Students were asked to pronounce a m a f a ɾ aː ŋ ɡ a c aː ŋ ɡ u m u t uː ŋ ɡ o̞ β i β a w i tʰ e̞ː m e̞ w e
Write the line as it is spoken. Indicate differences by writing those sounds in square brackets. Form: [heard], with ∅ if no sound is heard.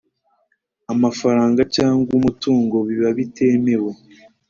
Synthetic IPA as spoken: a m a f a ɾ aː ŋ ɡ a c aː ŋ ɡ u m u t uː ŋ ɡ o̞ β i β a [β] i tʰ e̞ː m e̞ w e